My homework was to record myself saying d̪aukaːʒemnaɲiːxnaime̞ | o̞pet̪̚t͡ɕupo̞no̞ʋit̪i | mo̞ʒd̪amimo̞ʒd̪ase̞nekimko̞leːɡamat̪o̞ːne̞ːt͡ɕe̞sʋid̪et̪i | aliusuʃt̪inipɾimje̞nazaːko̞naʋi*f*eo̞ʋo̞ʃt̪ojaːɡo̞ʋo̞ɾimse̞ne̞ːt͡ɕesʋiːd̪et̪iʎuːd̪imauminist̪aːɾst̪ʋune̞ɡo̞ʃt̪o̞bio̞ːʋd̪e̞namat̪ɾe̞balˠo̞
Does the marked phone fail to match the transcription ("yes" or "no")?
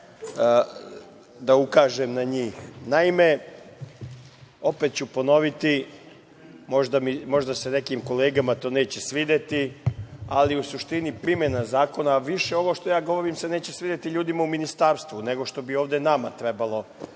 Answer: yes